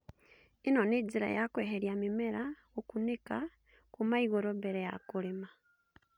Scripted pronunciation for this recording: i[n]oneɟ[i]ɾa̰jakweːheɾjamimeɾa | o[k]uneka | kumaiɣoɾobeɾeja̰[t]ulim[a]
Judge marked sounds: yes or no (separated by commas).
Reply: yes, yes, yes, no, yes